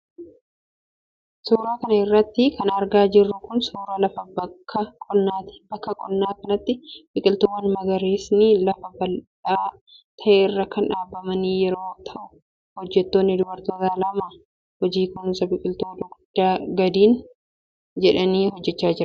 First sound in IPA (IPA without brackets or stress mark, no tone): s